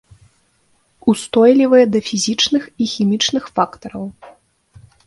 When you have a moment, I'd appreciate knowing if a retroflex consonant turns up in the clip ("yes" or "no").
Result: yes